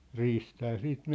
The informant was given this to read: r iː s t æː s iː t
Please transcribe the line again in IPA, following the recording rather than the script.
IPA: r iː s t æː s iː t